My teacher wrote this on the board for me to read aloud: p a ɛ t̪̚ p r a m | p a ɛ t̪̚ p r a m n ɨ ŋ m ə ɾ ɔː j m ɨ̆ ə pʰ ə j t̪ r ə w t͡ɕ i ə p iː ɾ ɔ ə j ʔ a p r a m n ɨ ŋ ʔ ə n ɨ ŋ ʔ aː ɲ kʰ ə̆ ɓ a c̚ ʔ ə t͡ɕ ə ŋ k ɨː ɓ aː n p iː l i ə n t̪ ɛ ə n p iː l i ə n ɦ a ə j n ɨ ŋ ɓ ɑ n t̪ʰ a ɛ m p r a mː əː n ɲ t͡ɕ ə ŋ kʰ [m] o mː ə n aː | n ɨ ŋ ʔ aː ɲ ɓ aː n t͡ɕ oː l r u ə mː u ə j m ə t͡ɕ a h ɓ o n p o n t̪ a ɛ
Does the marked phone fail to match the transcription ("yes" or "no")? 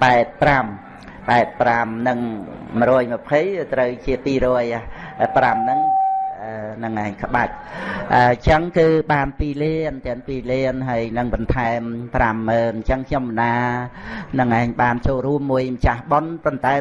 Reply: yes